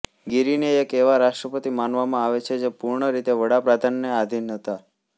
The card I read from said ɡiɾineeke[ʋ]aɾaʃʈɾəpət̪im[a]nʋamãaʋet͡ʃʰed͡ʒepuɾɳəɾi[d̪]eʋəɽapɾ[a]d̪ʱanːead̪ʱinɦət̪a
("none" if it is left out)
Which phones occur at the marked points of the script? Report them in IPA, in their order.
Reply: ʋ, a, t̪, a

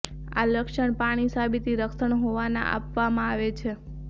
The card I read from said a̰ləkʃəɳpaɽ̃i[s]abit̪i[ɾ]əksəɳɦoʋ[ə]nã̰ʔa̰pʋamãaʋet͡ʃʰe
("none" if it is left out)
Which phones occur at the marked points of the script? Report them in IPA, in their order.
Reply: s, ɾ, a

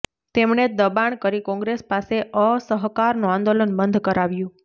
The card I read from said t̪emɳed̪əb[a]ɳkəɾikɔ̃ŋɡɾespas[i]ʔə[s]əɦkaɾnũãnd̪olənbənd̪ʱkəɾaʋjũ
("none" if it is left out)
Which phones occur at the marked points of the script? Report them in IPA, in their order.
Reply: a, e, s

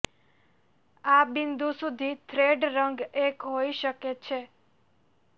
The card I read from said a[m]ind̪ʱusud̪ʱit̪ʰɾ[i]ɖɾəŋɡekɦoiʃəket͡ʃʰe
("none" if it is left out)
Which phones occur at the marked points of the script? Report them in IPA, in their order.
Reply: b, e

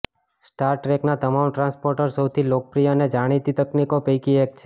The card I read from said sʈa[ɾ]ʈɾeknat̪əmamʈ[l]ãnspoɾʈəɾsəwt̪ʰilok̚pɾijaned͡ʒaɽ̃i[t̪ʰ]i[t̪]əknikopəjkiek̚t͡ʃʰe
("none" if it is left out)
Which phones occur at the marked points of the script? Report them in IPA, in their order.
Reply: ɾ, ɾ, t̪, t̪

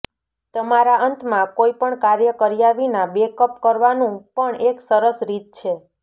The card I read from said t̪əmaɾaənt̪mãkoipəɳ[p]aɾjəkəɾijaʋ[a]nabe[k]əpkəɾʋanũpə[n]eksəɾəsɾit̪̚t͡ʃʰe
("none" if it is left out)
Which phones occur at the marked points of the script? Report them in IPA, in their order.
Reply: k, i, k, ɳ

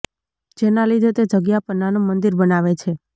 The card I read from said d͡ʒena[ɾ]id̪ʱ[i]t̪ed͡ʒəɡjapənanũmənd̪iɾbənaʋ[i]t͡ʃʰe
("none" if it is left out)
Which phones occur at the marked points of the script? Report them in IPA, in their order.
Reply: l, e, e

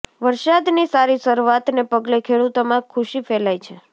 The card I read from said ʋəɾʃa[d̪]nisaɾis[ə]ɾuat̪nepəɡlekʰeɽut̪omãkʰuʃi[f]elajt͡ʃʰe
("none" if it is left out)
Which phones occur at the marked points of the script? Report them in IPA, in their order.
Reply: d̪, ə, f

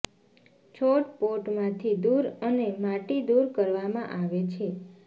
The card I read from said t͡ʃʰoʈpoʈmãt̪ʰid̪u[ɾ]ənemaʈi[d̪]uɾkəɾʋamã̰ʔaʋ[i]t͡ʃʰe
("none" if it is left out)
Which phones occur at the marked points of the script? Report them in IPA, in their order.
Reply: ɾ, d̪, e

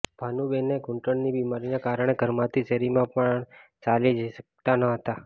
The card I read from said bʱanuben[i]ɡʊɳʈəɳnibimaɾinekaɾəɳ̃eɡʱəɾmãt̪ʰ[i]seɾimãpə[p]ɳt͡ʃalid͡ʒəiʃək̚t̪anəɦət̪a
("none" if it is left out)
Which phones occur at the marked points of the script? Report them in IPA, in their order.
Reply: e, i, none

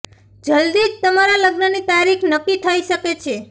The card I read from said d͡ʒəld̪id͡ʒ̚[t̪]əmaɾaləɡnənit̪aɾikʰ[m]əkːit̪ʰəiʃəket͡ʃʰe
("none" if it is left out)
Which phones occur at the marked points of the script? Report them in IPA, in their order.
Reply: t̪, n

